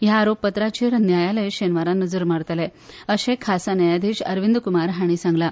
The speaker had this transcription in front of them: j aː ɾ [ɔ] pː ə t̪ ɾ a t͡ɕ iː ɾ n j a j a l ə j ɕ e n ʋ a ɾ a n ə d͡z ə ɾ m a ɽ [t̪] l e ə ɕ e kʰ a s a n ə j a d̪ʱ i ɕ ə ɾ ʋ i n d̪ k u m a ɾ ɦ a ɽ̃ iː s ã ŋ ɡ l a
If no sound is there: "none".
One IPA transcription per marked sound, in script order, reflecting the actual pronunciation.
o, t̪

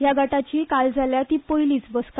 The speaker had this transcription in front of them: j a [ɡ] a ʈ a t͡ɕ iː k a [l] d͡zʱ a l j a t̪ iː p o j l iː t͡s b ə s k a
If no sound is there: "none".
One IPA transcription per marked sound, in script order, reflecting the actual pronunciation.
ɡ, l

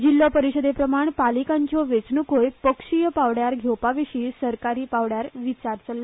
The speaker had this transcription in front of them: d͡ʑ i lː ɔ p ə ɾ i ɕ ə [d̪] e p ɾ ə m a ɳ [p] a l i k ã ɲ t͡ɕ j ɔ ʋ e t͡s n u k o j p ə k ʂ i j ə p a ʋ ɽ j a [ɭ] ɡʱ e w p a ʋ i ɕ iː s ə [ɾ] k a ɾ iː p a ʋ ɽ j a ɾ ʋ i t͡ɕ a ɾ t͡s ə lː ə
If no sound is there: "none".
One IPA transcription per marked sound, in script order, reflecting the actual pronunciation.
d̪, p, ɾ, ɾ

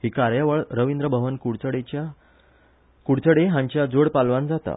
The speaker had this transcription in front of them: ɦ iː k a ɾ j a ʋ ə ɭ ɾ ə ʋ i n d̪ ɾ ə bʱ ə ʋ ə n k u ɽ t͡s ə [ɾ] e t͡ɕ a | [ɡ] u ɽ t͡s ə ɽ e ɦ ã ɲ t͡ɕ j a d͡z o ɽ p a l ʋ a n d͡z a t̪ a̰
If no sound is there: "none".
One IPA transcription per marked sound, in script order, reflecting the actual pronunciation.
ɽ, k

